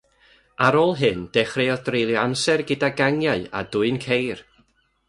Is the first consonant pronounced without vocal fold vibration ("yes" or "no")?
no